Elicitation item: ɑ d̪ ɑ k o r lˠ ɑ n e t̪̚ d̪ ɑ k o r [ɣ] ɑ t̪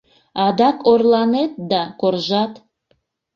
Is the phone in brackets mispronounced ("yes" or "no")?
yes